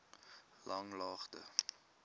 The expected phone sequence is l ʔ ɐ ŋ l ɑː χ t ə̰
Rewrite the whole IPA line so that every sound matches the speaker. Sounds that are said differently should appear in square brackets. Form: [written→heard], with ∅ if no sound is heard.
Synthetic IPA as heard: l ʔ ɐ ŋ l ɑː χ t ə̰

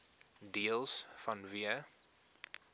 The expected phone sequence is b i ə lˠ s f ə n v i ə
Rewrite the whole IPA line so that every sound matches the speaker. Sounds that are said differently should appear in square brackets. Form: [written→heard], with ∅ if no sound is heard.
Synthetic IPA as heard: [b→d] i ə lˠ s f [ə→ɐ] n v i ə

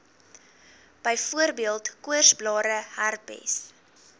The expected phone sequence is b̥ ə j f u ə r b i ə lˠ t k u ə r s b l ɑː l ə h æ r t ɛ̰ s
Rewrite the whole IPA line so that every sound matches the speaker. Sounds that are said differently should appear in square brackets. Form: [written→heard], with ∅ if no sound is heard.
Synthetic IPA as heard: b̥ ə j f u ə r b i ə lˠ t k u ə r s b l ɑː [l→ɾ] ə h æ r [t→p] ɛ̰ s

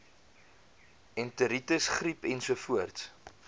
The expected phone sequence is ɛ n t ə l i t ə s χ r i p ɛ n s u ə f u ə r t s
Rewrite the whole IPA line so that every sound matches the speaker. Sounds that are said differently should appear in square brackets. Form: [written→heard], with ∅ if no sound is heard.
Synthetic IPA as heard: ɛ n t ə [l→ɾ] i t ə s χ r i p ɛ n s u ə f u ə r t s

